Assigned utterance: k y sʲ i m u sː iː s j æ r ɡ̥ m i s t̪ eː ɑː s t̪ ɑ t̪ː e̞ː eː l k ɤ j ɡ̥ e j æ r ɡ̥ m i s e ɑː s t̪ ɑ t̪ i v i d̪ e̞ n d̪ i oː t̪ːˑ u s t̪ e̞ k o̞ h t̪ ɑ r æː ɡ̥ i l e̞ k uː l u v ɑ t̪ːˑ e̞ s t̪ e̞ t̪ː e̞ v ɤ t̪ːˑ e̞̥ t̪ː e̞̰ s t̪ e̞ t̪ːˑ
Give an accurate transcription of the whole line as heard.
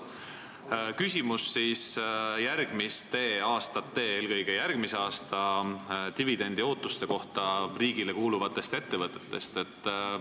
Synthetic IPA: k y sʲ i m u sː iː s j æ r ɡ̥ m i s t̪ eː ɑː s t̪ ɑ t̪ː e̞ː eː l k ɤ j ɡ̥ e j æ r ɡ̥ m i s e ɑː s t̪ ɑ t̪ i v i d̪ e̞ n d̪ i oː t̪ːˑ u s t̪ e̞ k o̞ h t̪ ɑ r iː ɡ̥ i l e̞ k uː l u v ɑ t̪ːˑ e̞ s t̪ e̞ t̪ː e̞ v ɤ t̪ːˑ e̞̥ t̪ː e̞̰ s t̪ e̞ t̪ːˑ